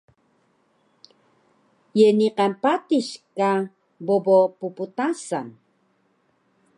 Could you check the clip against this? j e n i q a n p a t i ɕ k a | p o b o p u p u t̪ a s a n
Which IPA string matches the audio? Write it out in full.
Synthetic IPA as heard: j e n i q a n p a t i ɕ k a | b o b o p u p u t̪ a s a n